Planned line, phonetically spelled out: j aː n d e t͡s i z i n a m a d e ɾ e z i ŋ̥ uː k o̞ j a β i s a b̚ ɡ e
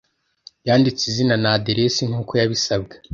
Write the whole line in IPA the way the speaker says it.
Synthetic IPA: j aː n d i t͡s i z i n a n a d e ɾ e s i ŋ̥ uː k o̞ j a β i s a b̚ ɡ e